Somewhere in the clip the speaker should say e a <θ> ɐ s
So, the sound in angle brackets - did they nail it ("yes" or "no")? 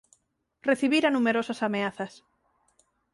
yes